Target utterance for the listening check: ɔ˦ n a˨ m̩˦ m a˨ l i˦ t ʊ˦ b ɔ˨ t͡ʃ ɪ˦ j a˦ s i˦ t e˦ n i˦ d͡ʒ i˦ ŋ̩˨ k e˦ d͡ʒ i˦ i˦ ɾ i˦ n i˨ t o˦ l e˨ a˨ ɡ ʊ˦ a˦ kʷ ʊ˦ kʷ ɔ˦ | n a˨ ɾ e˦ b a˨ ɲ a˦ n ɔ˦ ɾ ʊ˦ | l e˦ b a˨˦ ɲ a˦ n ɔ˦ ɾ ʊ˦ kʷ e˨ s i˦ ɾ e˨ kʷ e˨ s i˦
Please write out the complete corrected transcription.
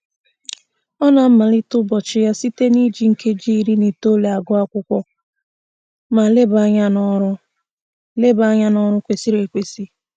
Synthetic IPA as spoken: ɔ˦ n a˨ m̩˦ m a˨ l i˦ t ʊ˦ b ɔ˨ t͡ʃ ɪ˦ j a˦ s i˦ t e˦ n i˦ d͡ʒ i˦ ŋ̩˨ k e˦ d͡ʒ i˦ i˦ ɾ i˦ n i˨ t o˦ l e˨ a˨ ɡ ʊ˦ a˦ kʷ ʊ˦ kʷ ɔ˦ | m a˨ l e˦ b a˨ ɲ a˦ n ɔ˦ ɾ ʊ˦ | l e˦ b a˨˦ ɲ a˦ n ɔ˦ ɾ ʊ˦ kʷ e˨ s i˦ ɾ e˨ kʷ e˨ s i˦

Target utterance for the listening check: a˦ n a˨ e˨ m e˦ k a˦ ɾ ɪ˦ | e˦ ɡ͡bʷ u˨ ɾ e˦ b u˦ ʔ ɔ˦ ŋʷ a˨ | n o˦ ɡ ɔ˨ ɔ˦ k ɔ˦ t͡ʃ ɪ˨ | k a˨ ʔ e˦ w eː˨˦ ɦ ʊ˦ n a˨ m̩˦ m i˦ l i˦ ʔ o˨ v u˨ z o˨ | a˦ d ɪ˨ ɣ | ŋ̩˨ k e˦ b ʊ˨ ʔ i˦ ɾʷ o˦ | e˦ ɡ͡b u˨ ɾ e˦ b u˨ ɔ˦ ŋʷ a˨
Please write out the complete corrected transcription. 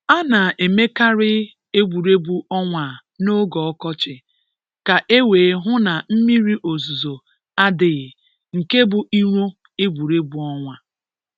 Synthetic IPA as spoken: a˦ n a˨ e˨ m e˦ k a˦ ɾ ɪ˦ | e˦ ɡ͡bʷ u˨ ɾ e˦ b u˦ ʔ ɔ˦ ŋʷ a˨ | n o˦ ɡ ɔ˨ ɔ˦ k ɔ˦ t͡ʃ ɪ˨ | k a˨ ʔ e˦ w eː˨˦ ɦ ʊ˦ n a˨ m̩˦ m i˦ ɾ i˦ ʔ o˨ z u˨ z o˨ | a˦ d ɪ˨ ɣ | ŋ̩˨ k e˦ b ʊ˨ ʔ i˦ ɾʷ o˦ | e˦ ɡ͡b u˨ ɾ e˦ b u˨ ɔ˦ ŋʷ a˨

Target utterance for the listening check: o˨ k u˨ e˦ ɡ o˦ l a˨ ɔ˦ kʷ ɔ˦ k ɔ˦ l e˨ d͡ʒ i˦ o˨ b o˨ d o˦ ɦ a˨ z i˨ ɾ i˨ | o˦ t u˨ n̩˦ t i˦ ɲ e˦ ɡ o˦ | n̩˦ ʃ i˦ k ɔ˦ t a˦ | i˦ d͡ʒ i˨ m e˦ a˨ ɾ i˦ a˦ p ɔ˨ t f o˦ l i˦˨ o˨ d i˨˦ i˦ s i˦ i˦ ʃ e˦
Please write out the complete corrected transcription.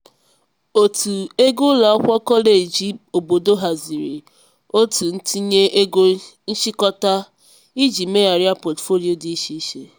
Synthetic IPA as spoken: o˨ t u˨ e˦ ɡ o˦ l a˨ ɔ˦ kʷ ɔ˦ k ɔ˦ l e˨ d͡ʒ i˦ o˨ b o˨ d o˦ ɦ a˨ z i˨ ɾ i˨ | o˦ t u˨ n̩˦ t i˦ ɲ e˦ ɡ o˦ | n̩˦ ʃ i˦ k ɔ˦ t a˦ | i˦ d͡ʒ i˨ m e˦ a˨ ɾ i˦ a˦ p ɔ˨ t f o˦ l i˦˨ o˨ d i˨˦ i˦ ʃ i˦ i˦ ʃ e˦

